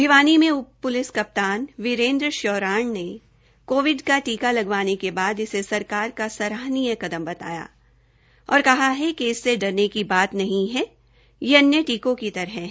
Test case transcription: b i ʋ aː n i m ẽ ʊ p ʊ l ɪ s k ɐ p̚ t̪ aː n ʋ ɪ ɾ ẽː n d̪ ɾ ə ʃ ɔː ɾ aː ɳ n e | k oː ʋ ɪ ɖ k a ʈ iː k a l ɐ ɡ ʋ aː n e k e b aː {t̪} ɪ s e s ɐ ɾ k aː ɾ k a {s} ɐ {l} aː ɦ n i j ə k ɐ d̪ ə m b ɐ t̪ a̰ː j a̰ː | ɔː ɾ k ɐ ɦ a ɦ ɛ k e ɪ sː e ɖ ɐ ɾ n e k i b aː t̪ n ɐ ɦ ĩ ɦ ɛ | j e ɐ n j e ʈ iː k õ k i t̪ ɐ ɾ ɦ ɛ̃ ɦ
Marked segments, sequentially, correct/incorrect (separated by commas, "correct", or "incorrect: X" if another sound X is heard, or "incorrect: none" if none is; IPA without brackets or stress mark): incorrect: d̪, correct, incorrect: ɾ